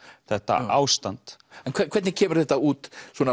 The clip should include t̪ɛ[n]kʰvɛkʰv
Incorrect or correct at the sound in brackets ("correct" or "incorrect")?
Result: correct